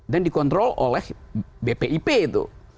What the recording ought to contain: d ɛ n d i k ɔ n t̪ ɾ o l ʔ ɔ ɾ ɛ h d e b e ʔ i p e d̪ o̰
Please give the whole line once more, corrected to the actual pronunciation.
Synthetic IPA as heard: d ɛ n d i k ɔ n t̪ ɾ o l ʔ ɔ l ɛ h b e p e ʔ i p e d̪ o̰